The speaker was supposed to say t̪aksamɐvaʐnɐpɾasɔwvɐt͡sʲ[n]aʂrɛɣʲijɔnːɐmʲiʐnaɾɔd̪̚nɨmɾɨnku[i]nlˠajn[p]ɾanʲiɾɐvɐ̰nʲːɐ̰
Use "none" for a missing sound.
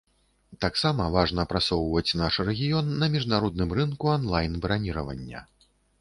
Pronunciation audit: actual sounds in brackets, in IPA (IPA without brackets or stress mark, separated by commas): n, a, b